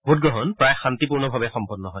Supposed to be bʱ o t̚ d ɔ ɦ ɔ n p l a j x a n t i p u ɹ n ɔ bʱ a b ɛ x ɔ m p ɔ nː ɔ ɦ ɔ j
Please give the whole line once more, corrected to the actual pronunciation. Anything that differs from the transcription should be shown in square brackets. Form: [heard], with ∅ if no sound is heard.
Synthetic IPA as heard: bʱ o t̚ [ɡ] ɔ ɦ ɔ n p [ɹ] a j x a n t i p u ɹ n ɔ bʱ a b ɛ x ɔ m p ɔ nː ɔ ɦ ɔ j